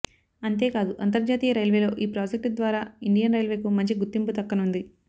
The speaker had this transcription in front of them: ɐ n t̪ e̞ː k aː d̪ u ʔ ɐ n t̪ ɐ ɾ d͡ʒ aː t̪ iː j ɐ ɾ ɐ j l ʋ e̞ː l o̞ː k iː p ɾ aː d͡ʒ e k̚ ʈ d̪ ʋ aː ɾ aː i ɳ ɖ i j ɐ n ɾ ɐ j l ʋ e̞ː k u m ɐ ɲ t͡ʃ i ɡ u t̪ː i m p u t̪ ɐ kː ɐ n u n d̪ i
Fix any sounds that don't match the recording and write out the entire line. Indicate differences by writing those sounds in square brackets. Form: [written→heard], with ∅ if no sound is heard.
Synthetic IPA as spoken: ɐ n t̪ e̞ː k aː d̪ u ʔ ɐ n t̪ ɐ ɾ d͡ʒ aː t̪ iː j ɐ ɾ ɐ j l ʋ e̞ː l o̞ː [k→ʔ] iː p ɾ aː d͡ʒ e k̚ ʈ d̪ ʋ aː ɾ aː i ɳ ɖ i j ɐ n ɾ ɐ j l ʋ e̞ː k u m ɐ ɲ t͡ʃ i ɡ u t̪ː i m p u t̪ ɐ kː ɐ n u n d̪ i

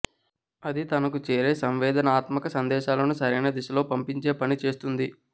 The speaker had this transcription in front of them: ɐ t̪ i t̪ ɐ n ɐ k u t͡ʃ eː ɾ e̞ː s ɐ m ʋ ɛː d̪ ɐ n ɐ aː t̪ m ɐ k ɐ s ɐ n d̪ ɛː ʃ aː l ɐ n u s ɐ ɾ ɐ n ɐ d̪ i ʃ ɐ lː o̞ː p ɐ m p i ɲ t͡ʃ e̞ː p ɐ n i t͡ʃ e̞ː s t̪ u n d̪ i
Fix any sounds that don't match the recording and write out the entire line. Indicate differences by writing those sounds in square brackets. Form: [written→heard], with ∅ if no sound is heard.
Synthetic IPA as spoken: ɐ [t̪→d̪] i t̪ ɐ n ɐ k u t͡ʃ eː ɾ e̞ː s ɐ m ʋ ɛː d̪ ɐ n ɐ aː t̪ m ɐ k ɐ s ɐ n d̪ ɛː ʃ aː l ɐ n u s ɐ ɾ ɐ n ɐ d̪ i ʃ ɐ [lː→l] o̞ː p ɐ m p i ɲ t͡ʃ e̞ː p ɐ n i t͡ʃ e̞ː s t̪ u n d̪ i

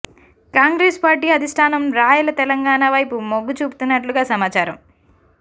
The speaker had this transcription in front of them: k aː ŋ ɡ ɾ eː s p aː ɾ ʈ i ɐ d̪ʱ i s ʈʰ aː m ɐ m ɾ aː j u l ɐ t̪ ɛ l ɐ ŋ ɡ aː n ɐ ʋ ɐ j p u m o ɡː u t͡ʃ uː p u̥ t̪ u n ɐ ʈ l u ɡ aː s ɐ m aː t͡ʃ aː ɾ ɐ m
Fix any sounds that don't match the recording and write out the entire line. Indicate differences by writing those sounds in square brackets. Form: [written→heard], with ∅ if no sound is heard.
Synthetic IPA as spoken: k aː ŋ ɡ ɾ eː s p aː ɾ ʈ [i→iː] ɐ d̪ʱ i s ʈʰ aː [m→n] ɐ m ɾ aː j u l ɐ t̪ ɛ l ɐ ŋ ɡ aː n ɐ ʋ ɐ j p u m o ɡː u t͡ʃ uː p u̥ t̪ u [n→nː] ɐ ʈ l u ɡ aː s ɐ m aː t͡ʃ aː ɾ ɐ m

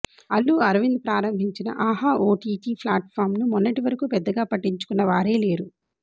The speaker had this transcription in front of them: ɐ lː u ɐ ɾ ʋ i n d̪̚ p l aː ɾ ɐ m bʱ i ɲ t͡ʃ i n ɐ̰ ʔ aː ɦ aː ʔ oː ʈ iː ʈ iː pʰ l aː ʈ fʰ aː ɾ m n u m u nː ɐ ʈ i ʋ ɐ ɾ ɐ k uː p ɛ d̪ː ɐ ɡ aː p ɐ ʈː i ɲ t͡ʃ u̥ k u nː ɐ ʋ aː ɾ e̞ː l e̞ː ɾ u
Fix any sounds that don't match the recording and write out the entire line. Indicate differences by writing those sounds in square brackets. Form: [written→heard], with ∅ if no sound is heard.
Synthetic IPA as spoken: ɐ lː u ɐ ɾ ʋ i n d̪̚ p [l→ɾ] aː ɾ ɐ m bʱ i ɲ t͡ʃ i n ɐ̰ ʔ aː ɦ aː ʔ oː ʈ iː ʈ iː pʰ l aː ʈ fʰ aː ɾ m n u m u nː ɐ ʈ i ʋ ɐ ɾ ɐ k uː p ɛ d̪ː ɐ ɡ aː p ɐ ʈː i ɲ t͡ʃ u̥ k u nː ɐ ʋ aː ɾ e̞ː l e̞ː ɾ u

